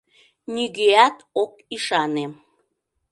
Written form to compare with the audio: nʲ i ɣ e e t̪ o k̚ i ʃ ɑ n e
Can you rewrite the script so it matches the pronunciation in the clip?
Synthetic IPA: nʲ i ɣ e æ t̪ o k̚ i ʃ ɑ n e